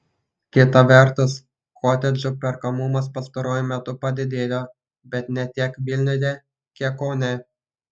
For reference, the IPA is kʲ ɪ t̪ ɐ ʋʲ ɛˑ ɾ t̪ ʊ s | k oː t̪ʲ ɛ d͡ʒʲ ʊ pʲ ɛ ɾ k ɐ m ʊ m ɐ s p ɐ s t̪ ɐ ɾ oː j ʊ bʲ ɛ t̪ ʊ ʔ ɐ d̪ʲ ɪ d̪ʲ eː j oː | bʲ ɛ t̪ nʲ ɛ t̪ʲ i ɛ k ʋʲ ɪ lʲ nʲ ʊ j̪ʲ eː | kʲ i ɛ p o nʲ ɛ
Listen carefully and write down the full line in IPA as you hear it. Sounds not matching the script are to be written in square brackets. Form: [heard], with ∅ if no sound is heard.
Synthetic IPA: kʲ ɪ t̪ ɐ ʋʲ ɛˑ ɾ t̪ ʊ s | k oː t̪ʲ ɛ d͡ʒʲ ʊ pʲ ɛ ɾ k ɐ m ʊ m ɐ s p ɐ s t̪ ɐ ɾ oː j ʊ [mʲ] ɛ t̪ ʊ [p] ɐ d̪ʲ ɪ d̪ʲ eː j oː | bʲ ɛ t̪ nʲ ɛ t̪ʲ i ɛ k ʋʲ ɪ lʲ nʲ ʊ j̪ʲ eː | kʲ i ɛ [k] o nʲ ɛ

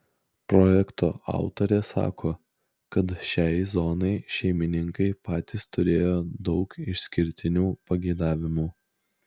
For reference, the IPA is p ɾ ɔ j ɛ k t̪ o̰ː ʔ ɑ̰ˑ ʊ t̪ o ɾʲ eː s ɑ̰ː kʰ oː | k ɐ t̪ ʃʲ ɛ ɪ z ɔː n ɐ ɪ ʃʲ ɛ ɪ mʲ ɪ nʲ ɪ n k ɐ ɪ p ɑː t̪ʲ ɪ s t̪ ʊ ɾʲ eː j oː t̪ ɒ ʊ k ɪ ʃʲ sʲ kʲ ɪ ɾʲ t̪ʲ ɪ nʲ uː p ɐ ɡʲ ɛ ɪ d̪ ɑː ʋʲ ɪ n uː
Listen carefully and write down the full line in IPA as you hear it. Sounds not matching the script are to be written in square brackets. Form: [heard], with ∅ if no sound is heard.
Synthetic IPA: p ɾ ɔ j ɛ k t̪ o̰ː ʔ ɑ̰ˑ ʊ t̪ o ɾʲ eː s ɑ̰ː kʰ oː | k ɐ t̪ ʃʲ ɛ ɪ z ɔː n ɐ ɪ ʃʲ ɛ ɪ mʲ ɪ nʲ ɪ [ŋ] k ɐ ɪ p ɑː t̪ʲ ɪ s t̪ ʊ ɾʲ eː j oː [d̪] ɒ ʊ k ɪ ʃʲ sʲ kʲ ɪ ɾʲ t̪ʲ ɪ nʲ uː p ɐ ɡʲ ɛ ɪ d̪ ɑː ʋʲ ɪ [m] uː

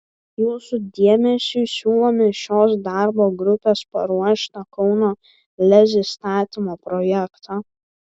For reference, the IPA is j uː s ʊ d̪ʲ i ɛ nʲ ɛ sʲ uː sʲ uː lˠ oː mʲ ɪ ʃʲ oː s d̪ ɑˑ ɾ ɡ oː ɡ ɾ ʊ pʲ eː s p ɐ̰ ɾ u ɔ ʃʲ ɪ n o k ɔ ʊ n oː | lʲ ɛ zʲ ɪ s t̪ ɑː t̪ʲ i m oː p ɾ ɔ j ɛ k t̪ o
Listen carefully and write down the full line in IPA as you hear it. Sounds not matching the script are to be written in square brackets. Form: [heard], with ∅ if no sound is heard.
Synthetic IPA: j uː s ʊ d̪ʲ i ɛ [mʲ] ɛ sʲ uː sʲ uː lˠ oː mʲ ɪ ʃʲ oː s d̪ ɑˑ ɾ [b] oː ɡ ɾ ʊ pʲ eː s p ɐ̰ ɾ u ɔ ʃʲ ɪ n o k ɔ ʊ n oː | lʲ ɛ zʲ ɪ s t̪ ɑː t̪ʲ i m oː p ɾ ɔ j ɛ k t̪ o

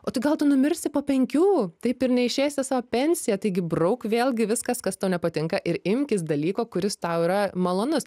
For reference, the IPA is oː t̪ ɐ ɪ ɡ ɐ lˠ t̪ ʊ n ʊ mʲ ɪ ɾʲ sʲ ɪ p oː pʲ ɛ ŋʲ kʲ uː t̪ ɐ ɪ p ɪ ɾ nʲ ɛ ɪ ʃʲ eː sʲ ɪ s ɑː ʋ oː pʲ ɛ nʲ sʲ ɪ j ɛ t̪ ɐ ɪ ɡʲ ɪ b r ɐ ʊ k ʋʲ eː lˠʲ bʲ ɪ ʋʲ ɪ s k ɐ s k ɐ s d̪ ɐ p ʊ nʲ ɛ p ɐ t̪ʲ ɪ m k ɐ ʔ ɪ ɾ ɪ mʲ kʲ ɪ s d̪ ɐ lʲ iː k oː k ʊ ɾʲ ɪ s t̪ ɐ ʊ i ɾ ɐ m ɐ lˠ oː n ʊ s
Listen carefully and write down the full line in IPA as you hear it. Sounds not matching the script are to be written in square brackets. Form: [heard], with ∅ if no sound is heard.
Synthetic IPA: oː t̪ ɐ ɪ ɡ ɐ lˠ t̪ ʊ n ʊ mʲ ɪ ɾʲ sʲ ɪ p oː pʲ ɛ ŋʲ kʲ uː t̪ ɐ ɪ p ɪ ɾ nʲ ɛ ɪ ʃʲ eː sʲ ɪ s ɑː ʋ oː pʲ ɛ nʲ sʲ ɪ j ɛ t̪ ɐ ɪ ɡʲ ɪ b r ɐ ʊ k ʋʲ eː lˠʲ [ɡʲ] ɪ ʋʲ ɪ s k ɐ s k ɐ s [t̪] ɐ [∅] ʊ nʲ ɛ p ɐ t̪ʲ ɪ [ŋ] k ɐ ʔ ɪ ɾ ɪ mʲ kʲ ɪ s d̪ ɐ lʲ iː k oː k ʊ ɾʲ ɪ s t̪ ɐ ʊ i ɾ ɐ m ɐ lˠ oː n ʊ s

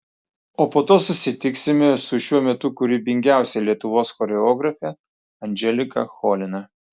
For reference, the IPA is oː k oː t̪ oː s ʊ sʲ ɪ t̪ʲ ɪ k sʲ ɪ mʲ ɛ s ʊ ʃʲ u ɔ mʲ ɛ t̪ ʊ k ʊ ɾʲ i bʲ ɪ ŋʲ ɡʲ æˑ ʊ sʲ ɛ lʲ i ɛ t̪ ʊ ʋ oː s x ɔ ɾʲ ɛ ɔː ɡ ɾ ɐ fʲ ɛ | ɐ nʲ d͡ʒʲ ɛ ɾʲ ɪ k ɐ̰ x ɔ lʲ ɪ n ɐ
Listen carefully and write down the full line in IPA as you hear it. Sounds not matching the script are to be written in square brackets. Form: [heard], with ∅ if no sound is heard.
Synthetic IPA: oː [p] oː t̪ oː s ʊ sʲ ɪ t̪ʲ ɪ k sʲ ɪ mʲ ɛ s ʊ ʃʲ u ɔ mʲ ɛ t̪ ʊ k ʊ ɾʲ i bʲ ɪ ŋʲ ɡʲ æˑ ʊ sʲ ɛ lʲ i ɛ t̪ ʊ ʋ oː s x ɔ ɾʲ ɛ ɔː ɡ ɾ ɐ fʲ ɛ | ɐ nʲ d͡ʒʲ ɛ [lʲ] ɪ k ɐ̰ x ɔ lʲ ɪ n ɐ

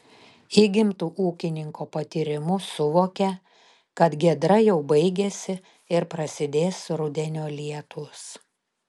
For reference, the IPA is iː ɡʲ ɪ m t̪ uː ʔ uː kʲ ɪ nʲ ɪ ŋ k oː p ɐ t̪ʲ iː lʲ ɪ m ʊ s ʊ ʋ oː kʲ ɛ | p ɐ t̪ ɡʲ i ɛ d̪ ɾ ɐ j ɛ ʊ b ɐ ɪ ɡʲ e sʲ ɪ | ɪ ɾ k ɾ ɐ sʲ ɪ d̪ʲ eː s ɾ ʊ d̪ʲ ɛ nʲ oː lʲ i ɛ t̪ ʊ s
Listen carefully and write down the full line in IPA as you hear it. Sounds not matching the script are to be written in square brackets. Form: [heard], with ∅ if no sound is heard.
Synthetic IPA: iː ɡʲ ɪ m t̪ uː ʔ uː kʲ ɪ nʲ ɪ ŋ k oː p ɐ t̪ʲ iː [ɾʲ] ɪ m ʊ s ʊ ʋ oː kʲ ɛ | [k] ɐ t̪ ɡʲ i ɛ d̪ ɾ ɐ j ɛ ʊ b ɐ ɪ ɡʲ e sʲ ɪ | ɪ ɾ [p] ɾ ɐ sʲ ɪ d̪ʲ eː s ɾ ʊ d̪ʲ ɛ nʲ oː lʲ i ɛ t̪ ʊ s

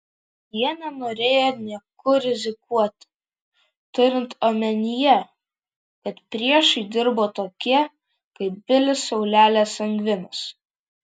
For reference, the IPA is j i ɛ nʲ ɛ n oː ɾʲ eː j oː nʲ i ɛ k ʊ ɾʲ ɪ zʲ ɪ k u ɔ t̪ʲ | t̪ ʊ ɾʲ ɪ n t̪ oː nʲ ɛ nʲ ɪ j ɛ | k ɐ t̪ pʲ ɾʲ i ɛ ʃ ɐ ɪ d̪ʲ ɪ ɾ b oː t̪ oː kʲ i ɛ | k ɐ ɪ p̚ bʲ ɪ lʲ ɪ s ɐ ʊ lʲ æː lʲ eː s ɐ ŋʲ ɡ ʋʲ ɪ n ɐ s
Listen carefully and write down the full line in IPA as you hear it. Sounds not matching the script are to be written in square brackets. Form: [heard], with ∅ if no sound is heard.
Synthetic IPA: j i ɛ nʲ ɛ n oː ɾʲ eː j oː nʲ i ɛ k ʊ ɾʲ ɪ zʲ ɪ k u ɔ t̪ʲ | t̪ ʊ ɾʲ ɪ n t̪ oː [mʲ] ɛ nʲ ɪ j ɛ | k ɐ t̪ pʲ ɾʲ i ɛ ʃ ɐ ɪ d̪ʲ ɪ ɾ b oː t̪ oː kʲ i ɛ | k ɐ ɪ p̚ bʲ ɪ lʲ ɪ s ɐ ʊ lʲ æː lʲ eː s ɐ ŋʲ ɡ ʋʲ ɪ n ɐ s

